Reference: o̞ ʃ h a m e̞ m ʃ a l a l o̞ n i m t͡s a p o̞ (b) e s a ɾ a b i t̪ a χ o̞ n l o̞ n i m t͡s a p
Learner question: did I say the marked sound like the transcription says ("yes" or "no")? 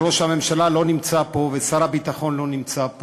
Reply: no